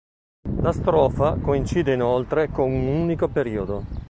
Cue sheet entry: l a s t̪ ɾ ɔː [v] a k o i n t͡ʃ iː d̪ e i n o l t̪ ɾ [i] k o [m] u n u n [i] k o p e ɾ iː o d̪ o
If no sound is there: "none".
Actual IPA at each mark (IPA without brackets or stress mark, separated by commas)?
f, e, n, i